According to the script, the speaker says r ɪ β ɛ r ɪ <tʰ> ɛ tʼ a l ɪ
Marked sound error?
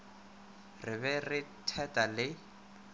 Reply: no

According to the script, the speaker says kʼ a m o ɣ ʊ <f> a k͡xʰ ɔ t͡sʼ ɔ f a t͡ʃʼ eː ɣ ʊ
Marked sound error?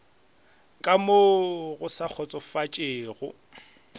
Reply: yes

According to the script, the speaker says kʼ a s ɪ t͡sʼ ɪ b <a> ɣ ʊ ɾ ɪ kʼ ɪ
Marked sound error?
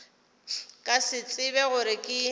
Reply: yes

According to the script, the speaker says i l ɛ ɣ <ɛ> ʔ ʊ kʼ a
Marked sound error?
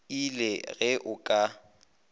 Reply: no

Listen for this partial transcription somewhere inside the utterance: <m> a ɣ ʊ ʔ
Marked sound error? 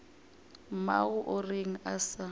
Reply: no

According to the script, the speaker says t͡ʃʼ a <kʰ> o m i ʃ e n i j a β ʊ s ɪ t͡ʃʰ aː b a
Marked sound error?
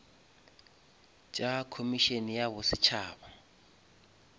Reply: no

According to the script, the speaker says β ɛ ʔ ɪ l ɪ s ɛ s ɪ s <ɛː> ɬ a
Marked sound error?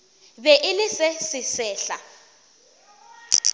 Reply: no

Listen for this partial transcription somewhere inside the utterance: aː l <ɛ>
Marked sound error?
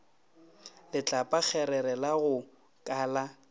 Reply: yes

